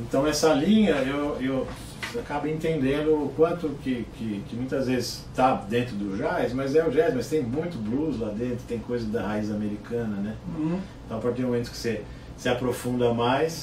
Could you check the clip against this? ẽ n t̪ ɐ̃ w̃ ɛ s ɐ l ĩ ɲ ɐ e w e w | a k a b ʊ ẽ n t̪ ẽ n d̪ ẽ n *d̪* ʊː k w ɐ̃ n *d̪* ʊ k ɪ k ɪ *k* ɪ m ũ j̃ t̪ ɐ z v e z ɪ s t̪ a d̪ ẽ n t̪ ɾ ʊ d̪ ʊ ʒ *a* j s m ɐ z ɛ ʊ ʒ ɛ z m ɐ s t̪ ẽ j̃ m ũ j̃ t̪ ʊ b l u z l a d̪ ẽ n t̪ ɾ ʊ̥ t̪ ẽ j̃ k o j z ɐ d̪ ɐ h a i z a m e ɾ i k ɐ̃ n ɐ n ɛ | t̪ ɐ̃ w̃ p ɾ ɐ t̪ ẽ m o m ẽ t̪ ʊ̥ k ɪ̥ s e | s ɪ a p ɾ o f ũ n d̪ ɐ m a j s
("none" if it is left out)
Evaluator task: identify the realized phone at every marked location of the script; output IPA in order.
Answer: d̪, t̪, k, a

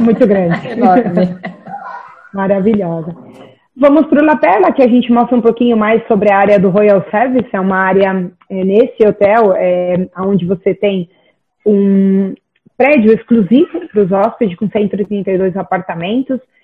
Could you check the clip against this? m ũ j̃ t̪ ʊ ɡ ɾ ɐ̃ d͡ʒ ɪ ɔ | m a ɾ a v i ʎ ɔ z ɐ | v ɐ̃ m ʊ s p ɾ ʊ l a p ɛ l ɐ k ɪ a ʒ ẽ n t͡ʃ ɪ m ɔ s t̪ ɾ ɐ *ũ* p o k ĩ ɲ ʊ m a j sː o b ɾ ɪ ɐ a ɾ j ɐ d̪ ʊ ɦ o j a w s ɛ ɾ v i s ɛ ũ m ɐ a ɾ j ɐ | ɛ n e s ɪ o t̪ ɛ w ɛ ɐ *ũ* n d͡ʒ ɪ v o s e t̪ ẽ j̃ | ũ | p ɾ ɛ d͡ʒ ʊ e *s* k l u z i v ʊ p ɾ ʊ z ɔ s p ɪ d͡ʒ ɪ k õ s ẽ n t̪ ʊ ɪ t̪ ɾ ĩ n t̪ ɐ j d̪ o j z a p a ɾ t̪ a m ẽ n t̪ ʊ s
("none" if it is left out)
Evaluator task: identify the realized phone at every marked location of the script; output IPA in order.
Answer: ũ, õ, s

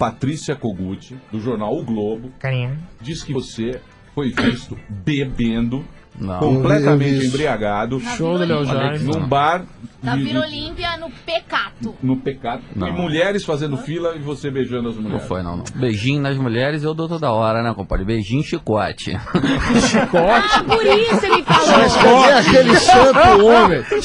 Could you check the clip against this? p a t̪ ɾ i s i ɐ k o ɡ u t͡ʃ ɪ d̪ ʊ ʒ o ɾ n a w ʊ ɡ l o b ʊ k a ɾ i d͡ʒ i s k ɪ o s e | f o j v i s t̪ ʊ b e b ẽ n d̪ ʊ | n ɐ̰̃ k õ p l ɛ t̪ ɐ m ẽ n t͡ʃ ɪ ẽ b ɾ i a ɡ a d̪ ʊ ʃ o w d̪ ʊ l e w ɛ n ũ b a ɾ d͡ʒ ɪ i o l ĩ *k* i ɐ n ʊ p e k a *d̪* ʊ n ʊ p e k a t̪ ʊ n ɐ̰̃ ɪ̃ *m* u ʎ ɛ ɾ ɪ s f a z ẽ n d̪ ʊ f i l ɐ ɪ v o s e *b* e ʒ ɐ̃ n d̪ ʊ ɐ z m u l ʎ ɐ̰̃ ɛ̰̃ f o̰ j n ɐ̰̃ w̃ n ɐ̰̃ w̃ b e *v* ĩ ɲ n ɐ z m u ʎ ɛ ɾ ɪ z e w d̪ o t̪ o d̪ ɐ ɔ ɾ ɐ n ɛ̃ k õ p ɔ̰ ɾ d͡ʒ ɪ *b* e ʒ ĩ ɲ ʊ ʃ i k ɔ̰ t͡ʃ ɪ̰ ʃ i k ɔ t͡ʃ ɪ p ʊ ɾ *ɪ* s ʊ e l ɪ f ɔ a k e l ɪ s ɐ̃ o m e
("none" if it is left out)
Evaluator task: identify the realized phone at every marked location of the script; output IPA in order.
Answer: p, t̪, m, b, ʒ, b, i

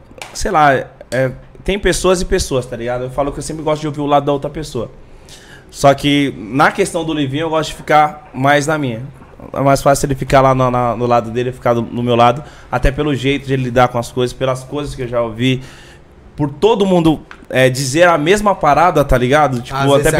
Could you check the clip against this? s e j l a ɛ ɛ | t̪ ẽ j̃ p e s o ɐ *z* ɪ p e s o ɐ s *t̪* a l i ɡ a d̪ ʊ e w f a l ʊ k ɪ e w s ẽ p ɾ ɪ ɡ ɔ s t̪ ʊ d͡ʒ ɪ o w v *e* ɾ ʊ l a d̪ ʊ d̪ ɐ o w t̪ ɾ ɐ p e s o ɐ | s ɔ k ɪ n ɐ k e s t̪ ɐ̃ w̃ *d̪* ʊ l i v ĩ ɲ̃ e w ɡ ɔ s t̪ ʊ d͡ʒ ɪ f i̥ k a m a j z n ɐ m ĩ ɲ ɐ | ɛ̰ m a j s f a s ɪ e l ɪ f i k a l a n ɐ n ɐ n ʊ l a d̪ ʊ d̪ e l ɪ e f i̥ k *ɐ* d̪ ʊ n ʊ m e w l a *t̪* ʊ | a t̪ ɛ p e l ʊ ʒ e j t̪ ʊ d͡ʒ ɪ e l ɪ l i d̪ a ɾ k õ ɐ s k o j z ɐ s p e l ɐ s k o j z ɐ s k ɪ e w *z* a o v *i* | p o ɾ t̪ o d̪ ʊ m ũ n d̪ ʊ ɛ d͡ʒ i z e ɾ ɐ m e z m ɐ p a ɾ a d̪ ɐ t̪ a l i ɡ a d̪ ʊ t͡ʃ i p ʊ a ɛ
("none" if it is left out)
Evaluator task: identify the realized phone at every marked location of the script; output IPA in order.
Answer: z, t̪, i, d̪, a, d̪, ʒ, i

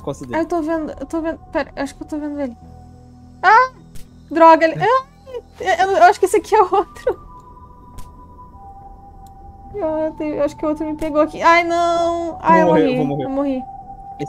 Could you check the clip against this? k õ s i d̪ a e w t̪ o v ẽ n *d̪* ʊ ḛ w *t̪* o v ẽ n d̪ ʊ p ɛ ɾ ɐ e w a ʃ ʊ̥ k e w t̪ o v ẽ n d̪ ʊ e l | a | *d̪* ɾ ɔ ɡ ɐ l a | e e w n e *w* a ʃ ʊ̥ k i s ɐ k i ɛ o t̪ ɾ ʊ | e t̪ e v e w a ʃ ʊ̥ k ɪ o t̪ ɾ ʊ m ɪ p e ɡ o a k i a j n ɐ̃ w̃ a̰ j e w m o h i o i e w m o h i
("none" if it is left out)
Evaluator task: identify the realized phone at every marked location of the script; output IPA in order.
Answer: d̪, t̪, d̪, w

